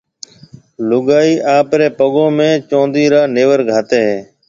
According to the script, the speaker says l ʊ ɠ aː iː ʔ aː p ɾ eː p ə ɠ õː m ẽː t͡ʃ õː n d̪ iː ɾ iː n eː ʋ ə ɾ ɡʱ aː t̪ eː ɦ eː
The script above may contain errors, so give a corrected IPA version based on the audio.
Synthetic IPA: l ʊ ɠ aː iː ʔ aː p ɾ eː p ə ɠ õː m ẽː t͡ʃ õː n d̪ iː ɾ aː n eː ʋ ə ɾ ɡʱ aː t̪ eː ɦ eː